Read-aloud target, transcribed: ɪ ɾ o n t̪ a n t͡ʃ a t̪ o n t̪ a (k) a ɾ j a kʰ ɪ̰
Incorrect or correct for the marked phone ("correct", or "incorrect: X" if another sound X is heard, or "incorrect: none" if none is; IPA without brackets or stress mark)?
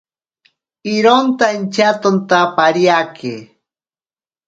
incorrect: p